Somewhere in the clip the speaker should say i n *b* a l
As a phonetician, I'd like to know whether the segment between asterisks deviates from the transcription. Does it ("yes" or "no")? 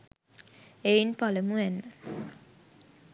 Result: yes